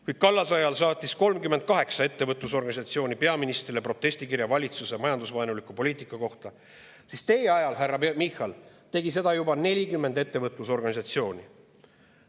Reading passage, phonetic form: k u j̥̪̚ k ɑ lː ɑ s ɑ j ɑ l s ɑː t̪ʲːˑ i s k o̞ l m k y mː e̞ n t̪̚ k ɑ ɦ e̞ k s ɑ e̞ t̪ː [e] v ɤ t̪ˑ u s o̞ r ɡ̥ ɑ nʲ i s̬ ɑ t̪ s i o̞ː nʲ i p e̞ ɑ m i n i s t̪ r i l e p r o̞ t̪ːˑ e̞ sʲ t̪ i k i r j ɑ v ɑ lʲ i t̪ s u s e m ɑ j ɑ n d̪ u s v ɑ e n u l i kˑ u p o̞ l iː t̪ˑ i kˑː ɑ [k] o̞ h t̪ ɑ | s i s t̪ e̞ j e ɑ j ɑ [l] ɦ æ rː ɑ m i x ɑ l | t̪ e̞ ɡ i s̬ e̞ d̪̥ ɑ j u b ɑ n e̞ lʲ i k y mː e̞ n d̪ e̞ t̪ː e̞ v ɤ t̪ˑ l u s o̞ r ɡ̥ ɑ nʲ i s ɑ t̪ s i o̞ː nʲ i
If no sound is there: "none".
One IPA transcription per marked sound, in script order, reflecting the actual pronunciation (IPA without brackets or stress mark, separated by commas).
e, k, l